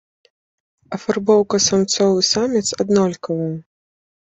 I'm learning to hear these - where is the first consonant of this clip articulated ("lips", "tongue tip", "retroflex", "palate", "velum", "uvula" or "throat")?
lips